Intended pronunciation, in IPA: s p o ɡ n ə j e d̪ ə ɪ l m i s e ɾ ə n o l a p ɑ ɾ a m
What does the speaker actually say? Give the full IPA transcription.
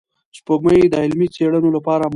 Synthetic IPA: s p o ɡ m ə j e d̪ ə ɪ l m i t͡s e ɽ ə n o l a p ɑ ɾ a m